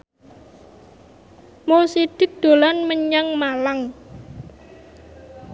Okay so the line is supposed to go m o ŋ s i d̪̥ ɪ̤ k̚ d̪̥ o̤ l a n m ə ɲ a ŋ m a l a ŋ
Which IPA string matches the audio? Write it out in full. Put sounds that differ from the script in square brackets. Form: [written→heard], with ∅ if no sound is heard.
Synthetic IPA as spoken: m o [ŋ→∅] s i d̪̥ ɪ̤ k̚ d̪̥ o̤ l a n m ə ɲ a ŋ m a l a ŋ